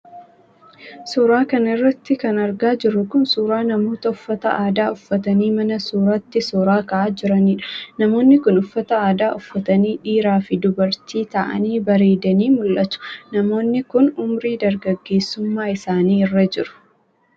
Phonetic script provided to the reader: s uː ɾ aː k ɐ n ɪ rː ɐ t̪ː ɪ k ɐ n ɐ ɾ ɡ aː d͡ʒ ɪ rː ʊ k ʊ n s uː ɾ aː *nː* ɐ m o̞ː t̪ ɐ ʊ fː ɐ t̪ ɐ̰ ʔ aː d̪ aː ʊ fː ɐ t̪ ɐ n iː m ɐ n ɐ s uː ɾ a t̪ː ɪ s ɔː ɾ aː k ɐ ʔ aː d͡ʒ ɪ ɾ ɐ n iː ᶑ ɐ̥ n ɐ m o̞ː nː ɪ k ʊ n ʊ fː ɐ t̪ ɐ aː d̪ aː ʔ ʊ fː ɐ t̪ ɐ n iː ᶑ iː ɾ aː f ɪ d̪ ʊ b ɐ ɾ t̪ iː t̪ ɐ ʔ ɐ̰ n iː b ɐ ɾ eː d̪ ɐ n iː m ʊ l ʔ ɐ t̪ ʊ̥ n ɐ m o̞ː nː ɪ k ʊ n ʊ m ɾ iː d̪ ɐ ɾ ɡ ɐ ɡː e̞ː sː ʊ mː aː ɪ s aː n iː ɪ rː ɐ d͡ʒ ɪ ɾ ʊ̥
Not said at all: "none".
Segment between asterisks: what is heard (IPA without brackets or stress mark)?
n